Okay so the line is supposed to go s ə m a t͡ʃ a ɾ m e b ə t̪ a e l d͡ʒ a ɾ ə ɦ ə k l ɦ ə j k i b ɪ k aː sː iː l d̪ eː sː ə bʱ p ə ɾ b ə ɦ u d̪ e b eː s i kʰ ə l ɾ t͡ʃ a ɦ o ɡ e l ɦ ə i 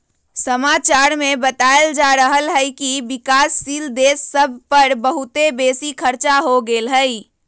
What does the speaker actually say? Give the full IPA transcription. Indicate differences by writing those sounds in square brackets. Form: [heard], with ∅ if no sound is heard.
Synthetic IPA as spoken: s ə m a t͡ʃ a ɾ m e b ə t̪ a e l d͡ʒ a ɾ ə ɦ ə [∅] l ɦ ə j k i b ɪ k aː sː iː l d̪ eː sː ə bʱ p ə ɾ b ə ɦ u [t̪] e b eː s i kʰ ə [∅] ɾ t͡ʃ a ɦ o ɡ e l ɦ ə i